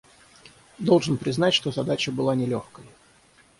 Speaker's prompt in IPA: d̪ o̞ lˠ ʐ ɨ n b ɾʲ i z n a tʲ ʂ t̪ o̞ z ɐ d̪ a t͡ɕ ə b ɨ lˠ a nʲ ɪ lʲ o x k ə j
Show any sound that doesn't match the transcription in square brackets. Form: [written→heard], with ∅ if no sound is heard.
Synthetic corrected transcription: d̪ o̞ lˠ ʐ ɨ n [b→p] ɾʲ [i→ɪ] z n a tʲ ʂ t̪ o̞ z ɐ d̪ a t͡ɕ ə b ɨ lˠ a nʲ ɪ lʲ o x k ə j